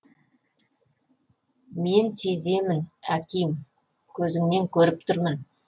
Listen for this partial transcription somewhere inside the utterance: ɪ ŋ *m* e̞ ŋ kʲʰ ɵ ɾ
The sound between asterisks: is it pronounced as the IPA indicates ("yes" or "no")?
no